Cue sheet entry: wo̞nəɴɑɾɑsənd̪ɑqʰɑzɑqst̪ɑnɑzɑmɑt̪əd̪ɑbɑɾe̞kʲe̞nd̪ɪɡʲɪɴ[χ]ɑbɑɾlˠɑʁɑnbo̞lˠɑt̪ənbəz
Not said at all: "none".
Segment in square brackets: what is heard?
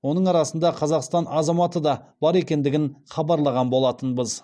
χ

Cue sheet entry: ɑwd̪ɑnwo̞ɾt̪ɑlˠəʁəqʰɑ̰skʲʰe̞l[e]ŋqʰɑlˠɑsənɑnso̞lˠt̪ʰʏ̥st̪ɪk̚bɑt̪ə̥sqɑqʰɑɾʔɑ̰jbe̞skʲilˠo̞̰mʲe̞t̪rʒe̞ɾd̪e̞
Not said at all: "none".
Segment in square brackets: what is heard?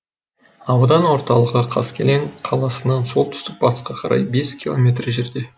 e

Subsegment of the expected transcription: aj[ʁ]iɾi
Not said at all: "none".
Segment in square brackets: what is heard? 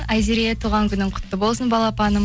z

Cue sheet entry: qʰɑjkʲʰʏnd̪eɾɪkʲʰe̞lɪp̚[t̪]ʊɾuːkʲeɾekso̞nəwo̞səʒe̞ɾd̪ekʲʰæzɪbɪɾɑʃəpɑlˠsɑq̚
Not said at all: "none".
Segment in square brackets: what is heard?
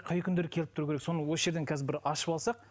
t̪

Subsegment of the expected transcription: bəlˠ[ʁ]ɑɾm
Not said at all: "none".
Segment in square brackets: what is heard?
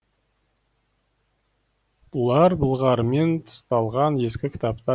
ʁ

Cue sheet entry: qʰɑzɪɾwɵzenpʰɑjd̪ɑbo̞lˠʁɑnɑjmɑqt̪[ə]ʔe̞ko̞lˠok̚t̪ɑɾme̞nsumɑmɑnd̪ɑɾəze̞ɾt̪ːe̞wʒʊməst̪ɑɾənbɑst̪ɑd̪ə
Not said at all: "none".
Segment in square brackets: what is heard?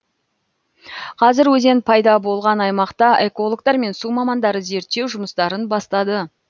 ɑ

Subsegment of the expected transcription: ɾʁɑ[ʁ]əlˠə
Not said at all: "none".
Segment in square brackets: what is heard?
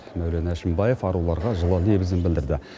ʒ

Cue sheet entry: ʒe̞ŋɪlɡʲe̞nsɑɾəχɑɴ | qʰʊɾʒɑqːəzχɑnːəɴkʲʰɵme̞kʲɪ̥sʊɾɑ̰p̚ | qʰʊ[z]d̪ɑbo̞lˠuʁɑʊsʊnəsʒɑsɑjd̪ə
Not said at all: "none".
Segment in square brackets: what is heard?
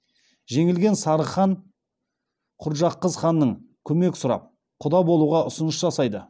none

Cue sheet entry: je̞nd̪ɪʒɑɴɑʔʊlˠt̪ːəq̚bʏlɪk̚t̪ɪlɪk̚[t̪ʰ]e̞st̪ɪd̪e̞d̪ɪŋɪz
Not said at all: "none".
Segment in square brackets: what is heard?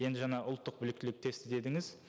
t̪ʰ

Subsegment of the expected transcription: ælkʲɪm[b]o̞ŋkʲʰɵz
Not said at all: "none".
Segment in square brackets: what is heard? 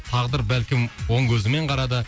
w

